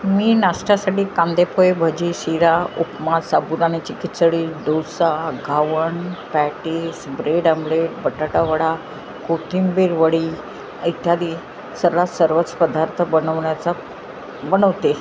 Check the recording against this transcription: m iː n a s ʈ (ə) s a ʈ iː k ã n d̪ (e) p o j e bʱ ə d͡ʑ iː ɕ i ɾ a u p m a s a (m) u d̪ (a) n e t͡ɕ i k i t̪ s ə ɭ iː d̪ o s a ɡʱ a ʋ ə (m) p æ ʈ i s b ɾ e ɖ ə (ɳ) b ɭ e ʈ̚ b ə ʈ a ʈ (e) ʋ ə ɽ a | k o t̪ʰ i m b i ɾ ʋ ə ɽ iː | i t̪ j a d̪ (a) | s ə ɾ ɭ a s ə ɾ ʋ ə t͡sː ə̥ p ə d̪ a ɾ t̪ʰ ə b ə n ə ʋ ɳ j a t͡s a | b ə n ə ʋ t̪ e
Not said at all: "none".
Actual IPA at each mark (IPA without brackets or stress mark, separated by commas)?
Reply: a, e, b, a, ɳ, m, a, i